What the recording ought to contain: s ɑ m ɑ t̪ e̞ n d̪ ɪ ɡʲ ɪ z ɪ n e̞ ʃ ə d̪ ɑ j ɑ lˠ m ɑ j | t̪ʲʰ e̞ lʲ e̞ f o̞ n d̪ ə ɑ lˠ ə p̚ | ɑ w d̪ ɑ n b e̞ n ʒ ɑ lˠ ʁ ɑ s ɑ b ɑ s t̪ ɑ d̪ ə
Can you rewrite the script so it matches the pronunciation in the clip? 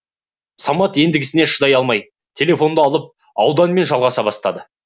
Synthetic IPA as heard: s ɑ m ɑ t̪ e̞ n d̪ ɪ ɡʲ ɪ s ɪ n e̞ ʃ ə d̪ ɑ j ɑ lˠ m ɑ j | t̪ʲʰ e̞ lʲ e̞ f o̞ n d̪ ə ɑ lˠ ə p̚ | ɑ w d̪ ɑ n m e̞ n ʒ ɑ lˠ ʁ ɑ s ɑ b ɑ s t̪ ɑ d̪ ə

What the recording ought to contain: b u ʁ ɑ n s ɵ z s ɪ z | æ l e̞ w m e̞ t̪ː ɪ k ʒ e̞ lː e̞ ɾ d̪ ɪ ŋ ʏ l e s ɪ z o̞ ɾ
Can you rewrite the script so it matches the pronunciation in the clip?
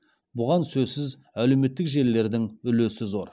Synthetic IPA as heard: b ʊ ʁ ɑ n s ɵ z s ɪ z | æ l e̞ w m e̞ t̪ː ɪ k ʒ e̞ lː e̞ ɾ d̪ ɪ ŋ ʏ l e s ɪ z o̞ ɾ

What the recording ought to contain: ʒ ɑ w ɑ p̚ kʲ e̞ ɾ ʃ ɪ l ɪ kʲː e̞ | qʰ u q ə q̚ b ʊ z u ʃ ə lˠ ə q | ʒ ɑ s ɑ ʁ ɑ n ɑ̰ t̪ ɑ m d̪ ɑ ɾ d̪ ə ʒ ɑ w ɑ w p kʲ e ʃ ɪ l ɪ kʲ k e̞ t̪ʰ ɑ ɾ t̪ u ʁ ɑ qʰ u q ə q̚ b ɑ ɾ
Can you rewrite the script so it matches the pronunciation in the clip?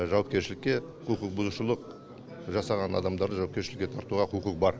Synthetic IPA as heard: ʒ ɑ w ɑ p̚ kʲ e̞ ɾ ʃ ɪ l ɪ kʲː e̞ | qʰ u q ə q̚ b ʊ z u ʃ ə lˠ ə q | ʒ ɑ s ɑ ʁ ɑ n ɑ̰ d̪ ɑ m d̪ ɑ ɾ d̪ ə ʒ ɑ w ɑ p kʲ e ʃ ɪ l ɪ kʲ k e̞ t̪ʰ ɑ ɾ t̪ u ʁ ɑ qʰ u q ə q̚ b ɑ ɾ

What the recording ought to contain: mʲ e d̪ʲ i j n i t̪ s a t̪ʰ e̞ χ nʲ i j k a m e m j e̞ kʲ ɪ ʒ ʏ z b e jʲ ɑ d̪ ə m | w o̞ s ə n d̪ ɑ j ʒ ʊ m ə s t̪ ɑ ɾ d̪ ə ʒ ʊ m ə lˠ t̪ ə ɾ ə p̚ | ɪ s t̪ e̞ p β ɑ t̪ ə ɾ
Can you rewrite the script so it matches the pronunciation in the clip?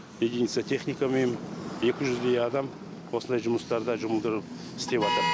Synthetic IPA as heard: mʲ e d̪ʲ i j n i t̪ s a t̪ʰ e̞ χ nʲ i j k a m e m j e̞ kʲ ɪ ʒ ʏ z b e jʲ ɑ d̪ ɑ m | w o̞ s ə n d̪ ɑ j ʒ ʊ m ə s t̪ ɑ ɾ d̪ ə ʒ ʊ m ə lˠ d̪ ə ɾ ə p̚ | ɪ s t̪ e̞ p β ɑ t̪ ə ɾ

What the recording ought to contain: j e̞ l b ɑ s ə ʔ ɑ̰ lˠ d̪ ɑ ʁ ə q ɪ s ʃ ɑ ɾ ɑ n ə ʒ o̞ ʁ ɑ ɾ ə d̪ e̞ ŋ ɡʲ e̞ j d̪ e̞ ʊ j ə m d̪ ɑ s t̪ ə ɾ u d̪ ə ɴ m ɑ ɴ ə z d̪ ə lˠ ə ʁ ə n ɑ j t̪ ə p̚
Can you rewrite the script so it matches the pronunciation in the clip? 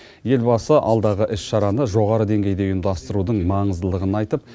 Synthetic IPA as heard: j e̞ l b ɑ s ə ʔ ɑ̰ lˠ d̪ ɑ ʁ ə ʔ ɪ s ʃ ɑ ɾ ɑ n ə ʒ o̞ ʁ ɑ ɾ ə d̪ e̞ ŋ ɡʲ e̞ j d̪ e̞ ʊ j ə m d̪ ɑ s t̪ ə ɾ u d̪ ə ɴ m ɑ ɴ ə z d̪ ə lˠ ə ʁ ə n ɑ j t̪ ə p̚

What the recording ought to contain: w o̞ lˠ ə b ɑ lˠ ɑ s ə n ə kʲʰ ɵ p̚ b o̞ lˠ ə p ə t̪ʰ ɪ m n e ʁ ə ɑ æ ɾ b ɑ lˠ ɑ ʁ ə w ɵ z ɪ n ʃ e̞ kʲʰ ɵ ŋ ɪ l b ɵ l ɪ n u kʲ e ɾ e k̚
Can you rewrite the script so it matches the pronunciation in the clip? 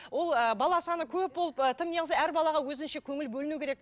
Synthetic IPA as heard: w o̞ lˠ ə b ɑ lˠ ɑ s ɑ n ə kʲʰ ɵ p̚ b o̞ lˠ ə p ə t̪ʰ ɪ m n e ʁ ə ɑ æ ɾ b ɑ lˠ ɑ ʁ ɑ w ɵ z ɪ n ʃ e̞ kʲʰ ɵ ŋ ɪ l b ɵ l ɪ n u kʲ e ɾ e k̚

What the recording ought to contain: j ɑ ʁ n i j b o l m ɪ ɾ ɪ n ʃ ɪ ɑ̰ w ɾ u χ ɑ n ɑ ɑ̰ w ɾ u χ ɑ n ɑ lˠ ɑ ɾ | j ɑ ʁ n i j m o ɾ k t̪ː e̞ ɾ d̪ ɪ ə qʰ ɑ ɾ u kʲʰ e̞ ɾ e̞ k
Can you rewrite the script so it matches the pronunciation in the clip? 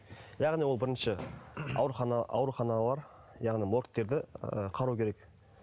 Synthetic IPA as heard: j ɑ ʁ n i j w o l b ɪ ɾ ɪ n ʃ ɪ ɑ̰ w ɾ u χ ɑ n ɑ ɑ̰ w ɾ u χ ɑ n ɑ lˠ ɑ ɾ | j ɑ ʁ n i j m o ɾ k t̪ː e̞ ɾ d̪ ɪ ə qʰ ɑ ɾ u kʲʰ e̞ ɾ e̞ k

